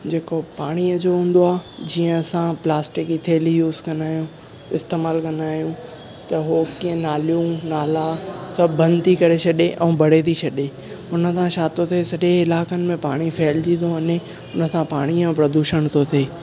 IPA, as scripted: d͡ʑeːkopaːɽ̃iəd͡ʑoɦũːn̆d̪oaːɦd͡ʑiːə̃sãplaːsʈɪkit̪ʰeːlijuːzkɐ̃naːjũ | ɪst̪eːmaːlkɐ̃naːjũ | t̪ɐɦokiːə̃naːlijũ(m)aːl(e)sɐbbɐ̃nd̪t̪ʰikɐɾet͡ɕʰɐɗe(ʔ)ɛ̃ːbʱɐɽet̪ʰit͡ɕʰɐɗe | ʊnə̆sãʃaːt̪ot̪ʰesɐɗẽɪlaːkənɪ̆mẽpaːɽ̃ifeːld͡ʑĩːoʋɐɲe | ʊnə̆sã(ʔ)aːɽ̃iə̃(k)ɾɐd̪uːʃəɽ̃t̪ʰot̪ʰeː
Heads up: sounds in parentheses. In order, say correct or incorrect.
incorrect: n, incorrect: a, correct, incorrect: p, incorrect: p

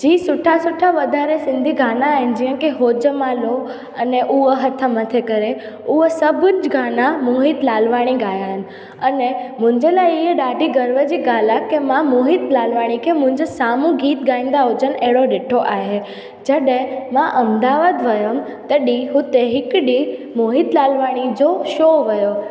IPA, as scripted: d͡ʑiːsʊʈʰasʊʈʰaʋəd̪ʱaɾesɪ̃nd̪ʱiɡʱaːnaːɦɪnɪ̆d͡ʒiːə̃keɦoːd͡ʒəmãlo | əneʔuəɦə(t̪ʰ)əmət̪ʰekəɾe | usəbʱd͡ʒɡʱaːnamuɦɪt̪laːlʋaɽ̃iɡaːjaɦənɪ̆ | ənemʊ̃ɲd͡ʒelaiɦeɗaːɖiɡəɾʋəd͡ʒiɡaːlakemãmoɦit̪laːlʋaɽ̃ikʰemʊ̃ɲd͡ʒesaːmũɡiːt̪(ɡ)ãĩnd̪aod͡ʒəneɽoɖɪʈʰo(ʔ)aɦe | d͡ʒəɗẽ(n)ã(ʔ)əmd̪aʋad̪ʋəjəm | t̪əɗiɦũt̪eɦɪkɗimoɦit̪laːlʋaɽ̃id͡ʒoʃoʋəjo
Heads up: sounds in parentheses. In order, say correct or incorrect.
correct, correct, correct, incorrect: m, correct

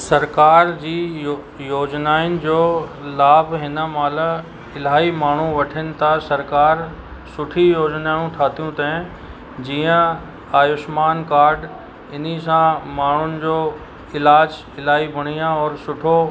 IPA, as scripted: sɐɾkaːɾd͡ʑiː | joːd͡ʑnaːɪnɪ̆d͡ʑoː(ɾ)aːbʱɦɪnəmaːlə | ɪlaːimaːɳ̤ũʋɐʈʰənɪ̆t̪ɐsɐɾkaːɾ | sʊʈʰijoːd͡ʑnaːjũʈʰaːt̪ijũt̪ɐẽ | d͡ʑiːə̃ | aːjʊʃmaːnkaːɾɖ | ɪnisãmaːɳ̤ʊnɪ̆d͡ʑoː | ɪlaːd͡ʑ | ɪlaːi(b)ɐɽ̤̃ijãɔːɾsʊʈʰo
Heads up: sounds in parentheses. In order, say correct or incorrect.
incorrect: l, correct

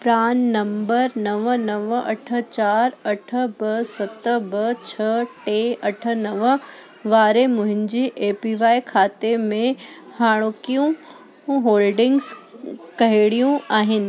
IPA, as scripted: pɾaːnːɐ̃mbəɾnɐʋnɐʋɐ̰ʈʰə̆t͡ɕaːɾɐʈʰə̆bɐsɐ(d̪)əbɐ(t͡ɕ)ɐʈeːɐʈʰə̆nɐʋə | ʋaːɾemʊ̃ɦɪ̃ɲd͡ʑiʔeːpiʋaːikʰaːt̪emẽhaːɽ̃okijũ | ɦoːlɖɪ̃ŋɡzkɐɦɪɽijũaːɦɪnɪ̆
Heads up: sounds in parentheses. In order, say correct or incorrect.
incorrect: t̪, incorrect: t͡ɕʰ

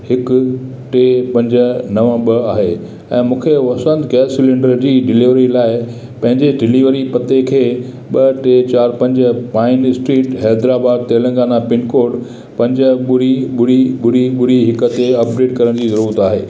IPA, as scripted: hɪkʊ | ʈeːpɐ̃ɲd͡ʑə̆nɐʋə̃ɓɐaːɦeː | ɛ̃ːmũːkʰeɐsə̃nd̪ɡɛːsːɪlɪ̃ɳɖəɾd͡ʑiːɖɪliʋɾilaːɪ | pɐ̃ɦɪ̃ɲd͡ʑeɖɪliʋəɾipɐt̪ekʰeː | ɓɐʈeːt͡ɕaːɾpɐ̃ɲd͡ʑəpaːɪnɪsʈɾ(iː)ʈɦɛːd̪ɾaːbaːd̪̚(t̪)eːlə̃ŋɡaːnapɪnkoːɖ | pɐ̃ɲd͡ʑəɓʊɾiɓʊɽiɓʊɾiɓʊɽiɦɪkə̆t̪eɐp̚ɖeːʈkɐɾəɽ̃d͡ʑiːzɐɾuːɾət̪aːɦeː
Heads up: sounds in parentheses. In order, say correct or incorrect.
correct, correct

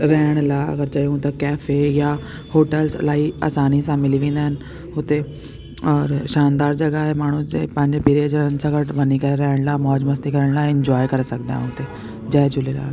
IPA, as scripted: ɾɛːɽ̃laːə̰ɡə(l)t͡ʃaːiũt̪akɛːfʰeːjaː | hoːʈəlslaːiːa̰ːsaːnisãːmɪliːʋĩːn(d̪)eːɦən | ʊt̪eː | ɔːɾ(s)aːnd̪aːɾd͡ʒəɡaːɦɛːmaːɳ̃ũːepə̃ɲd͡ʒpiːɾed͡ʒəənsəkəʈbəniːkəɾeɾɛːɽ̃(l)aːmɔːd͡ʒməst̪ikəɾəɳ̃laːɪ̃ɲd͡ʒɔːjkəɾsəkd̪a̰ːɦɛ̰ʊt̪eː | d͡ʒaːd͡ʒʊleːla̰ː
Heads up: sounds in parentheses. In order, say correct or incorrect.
incorrect: ɾ, correct, incorrect: ʃ, correct

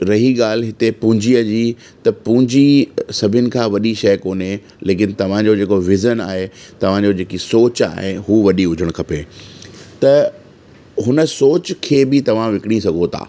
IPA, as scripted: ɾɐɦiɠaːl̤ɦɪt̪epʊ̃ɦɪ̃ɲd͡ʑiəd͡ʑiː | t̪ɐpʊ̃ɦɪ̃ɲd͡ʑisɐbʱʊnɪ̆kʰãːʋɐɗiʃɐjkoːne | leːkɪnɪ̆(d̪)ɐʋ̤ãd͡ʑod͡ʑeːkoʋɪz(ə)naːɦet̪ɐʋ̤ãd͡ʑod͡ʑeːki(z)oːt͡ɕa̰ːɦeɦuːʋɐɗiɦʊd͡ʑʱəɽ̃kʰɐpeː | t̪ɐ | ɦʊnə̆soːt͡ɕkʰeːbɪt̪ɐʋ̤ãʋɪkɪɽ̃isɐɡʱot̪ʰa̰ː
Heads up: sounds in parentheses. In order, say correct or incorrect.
incorrect: t̪, correct, incorrect: s

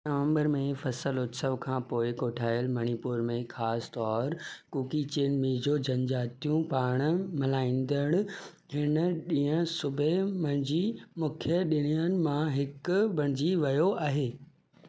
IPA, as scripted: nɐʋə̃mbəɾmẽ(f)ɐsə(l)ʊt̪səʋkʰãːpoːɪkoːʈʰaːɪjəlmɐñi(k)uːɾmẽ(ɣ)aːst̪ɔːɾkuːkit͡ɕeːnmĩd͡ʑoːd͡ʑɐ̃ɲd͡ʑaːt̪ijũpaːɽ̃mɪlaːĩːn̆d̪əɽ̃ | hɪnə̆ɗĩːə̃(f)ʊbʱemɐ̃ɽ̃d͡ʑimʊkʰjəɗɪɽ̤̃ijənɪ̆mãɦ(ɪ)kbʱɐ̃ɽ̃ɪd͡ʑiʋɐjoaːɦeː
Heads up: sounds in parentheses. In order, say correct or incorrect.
correct, correct, incorrect: p, incorrect: x, incorrect: s, correct

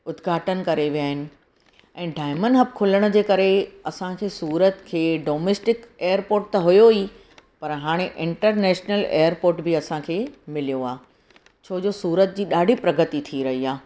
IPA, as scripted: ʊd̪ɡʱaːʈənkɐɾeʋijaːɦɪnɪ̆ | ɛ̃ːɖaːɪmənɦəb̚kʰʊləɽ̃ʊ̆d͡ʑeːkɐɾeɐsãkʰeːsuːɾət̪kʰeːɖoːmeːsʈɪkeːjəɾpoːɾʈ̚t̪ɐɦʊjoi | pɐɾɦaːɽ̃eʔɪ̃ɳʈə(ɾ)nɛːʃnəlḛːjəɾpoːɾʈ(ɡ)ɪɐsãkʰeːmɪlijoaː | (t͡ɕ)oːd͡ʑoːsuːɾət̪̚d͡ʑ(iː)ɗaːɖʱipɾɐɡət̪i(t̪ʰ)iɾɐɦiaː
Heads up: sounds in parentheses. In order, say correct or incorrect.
correct, incorrect: b, incorrect: t͡ɕʰ, correct, correct

